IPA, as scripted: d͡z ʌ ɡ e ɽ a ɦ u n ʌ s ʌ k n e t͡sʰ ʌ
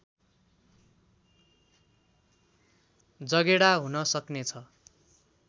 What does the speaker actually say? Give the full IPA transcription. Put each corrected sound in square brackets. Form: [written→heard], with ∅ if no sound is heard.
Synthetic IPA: d͡z ʌ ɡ e ɽ a ɦ u n ʌ s ʌ k n e t͡sʰ ʌ